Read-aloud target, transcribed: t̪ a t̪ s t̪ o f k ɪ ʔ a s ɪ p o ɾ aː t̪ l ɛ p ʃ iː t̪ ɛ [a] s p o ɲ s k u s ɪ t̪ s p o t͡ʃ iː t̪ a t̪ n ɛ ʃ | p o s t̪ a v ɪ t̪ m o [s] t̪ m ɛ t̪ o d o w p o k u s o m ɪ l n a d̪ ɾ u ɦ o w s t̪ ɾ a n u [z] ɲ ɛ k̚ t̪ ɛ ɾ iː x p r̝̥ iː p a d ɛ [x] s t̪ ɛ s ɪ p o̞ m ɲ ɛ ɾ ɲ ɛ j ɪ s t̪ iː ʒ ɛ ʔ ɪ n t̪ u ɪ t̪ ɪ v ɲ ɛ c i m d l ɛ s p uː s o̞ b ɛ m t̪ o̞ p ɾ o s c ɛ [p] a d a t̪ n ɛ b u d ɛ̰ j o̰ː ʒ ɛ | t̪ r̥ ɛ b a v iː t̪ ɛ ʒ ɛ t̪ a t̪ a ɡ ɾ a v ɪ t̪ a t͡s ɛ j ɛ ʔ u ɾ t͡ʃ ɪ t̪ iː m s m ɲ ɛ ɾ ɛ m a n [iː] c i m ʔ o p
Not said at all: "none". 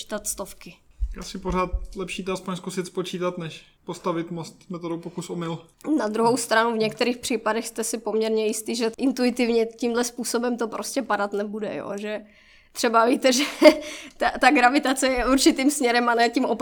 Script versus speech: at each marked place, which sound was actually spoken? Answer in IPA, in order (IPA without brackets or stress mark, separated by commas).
a, s, v, x, p, ɛː